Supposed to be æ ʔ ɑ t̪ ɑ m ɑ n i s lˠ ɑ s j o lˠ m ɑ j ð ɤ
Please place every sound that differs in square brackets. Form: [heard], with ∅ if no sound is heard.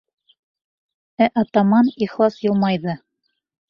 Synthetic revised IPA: æ ʔ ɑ t̪ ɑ m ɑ n i [χ] lˠ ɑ s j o lˠ m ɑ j ð ɤ